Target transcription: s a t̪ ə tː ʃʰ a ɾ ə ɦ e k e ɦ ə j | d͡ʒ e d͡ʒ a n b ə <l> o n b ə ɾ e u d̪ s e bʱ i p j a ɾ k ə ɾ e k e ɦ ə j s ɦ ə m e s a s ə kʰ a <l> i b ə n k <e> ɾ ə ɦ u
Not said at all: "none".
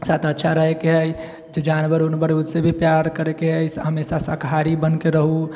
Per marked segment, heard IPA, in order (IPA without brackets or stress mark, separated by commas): ɾ, ɾ, e